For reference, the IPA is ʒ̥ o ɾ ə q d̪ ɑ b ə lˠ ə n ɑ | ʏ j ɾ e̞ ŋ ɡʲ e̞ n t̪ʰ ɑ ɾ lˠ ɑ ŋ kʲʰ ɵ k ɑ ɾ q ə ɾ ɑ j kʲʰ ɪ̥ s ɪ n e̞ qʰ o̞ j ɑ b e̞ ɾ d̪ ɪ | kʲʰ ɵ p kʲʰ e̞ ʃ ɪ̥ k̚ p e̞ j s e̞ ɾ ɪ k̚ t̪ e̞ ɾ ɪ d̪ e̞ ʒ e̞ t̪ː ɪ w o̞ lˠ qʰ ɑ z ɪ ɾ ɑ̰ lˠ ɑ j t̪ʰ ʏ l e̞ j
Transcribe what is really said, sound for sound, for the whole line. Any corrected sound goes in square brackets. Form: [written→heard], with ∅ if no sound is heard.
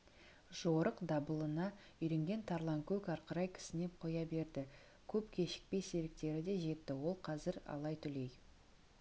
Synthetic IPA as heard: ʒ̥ o ɾ ə q d̪ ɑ b ə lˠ ə n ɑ | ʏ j ɾ e̞ ŋ ɡʲ e̞ n t̪ʰ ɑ ɾ lˠ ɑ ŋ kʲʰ ɵ k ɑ ɾ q ə ɾ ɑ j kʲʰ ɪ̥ s ɪ n e̞ qʰ o̞ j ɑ b e̞ ɾ d̪ ɪ | kʲʰ ɵ p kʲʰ e̞ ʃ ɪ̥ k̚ p e̞ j s e̞ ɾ ɪ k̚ t̪ e̞ ɾ ɪ d̪ e̞ ʒ e̞ t̪ː ɪ w o̞ lˠ qʰ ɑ z ɪ ɾ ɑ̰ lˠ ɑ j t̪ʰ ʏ l e̞ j